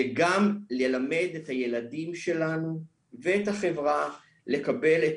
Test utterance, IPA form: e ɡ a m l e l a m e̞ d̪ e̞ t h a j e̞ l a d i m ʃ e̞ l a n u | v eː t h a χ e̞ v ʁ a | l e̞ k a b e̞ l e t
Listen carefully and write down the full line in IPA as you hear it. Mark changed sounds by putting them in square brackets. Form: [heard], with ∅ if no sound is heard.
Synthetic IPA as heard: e ɡ a m l e l a m e̞ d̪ e̞ t h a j e̞ l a d i m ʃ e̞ l a n u | v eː t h a χ e̞ v ʁ a | l e̞ k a b e̞ l e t